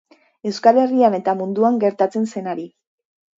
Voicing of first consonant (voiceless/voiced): voiced